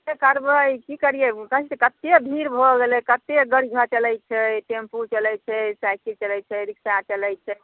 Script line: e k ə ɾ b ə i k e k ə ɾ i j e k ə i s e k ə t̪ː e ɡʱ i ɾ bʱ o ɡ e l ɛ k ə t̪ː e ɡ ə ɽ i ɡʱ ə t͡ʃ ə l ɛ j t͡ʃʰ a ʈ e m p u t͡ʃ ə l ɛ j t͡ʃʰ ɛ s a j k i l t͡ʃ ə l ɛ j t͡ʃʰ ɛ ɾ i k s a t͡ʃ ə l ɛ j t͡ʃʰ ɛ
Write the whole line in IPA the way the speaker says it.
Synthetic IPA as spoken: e k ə ɾ b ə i k i k ə ɾ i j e k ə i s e k ə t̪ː e bʱ i ɾ bʱ o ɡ e l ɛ k ə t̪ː e ɡ ə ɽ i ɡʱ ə t͡ʃ ə l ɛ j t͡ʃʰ ɛ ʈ e m p u t͡ʃ ə l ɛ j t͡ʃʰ ɛ s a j k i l t͡ʃ ə l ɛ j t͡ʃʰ ɛ ɾ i k s a t͡ʃ ə l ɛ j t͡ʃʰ ɛ